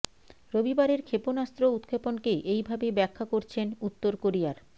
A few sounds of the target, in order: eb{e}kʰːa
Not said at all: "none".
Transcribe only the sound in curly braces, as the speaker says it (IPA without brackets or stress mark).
ɛ